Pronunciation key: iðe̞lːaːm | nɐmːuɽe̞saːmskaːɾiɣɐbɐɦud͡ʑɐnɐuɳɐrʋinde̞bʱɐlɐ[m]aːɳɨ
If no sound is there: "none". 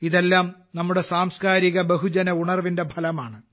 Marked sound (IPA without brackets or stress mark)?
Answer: m